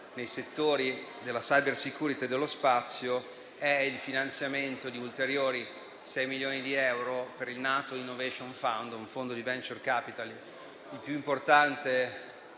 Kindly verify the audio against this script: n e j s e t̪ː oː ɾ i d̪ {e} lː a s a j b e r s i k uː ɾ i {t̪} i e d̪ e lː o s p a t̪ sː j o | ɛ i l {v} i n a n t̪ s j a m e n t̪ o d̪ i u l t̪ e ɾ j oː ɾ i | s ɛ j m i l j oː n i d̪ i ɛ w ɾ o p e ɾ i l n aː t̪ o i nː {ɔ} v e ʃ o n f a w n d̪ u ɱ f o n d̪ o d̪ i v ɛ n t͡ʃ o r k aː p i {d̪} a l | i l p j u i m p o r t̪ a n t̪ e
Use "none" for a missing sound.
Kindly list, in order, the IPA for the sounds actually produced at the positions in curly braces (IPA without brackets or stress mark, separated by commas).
e, t̪, f, o, t̪